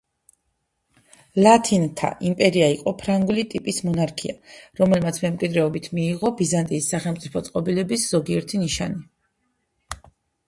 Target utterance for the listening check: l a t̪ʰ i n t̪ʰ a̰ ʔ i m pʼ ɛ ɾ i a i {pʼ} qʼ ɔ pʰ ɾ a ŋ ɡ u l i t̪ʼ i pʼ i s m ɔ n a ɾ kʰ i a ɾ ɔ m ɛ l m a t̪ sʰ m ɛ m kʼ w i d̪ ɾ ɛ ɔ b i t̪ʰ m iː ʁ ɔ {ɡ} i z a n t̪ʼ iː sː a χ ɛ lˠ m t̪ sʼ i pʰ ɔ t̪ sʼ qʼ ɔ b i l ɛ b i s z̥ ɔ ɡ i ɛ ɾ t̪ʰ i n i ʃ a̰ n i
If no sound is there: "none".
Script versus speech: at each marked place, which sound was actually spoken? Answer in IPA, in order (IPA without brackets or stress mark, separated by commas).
none, b